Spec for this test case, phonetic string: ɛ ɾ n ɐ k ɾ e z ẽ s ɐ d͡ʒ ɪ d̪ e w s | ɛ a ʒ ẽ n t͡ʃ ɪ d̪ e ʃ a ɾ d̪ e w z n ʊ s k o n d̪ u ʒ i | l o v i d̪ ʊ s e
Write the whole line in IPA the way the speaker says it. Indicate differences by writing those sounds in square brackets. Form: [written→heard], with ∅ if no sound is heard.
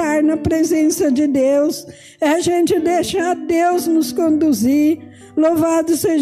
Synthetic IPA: [ɛ→a] ɾ n ɐ [k→p] ɾ e z ẽ s ɐ d͡ʒ ɪ d̪ e w s | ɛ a ʒ ẽ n t͡ʃ ɪ d̪ e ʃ a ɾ d̪ e w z n ʊ s k [o→õ] n d̪ u [ʒ→z] i | l o v [i→a] d̪ ʊ s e